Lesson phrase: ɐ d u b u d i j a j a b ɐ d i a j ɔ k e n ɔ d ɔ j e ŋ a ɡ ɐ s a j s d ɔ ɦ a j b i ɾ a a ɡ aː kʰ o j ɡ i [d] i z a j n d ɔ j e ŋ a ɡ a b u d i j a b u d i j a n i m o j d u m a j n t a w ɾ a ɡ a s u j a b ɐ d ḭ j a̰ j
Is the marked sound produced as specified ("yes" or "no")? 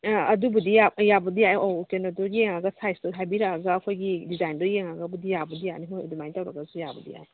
yes